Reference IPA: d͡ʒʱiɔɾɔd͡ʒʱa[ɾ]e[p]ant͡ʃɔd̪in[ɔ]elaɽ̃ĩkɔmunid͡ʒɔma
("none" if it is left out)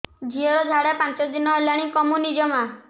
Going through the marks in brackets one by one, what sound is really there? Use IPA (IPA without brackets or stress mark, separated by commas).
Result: ɽ, p, ɔ